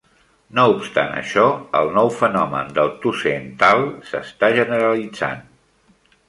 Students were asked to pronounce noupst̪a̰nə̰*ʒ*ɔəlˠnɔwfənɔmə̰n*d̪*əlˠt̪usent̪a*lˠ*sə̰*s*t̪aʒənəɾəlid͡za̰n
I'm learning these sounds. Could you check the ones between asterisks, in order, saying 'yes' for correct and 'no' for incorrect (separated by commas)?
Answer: no, yes, yes, yes